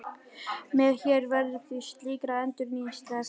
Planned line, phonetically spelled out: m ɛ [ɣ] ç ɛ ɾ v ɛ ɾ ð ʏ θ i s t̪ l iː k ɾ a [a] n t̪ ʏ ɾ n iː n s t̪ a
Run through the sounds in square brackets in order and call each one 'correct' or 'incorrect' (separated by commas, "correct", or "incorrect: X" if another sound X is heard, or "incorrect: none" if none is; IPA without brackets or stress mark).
incorrect: ð, incorrect: ɛ